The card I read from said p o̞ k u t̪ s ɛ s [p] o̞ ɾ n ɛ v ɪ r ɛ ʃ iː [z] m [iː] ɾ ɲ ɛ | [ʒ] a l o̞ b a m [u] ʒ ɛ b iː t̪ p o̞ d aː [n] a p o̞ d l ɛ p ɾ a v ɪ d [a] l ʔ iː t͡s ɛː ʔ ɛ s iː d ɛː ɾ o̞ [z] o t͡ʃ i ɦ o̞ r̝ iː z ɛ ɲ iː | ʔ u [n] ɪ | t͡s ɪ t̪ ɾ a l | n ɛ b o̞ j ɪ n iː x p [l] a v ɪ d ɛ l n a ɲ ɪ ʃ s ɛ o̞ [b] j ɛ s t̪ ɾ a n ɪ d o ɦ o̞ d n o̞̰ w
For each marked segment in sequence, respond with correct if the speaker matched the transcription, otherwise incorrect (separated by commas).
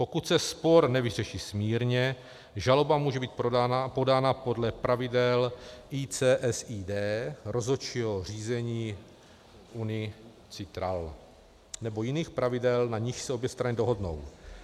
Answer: correct, incorrect, correct, correct, incorrect, correct, incorrect, correct, correct, incorrect, correct